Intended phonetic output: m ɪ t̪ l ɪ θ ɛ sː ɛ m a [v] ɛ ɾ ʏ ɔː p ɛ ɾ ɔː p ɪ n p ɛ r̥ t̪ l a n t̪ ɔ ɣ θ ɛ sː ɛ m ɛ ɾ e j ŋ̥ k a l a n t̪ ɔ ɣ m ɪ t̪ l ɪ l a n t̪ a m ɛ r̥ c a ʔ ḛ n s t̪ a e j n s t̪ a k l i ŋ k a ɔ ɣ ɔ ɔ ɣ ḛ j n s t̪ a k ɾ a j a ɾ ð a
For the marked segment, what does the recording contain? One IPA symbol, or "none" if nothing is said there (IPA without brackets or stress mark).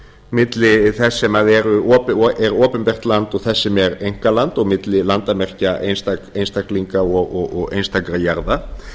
ð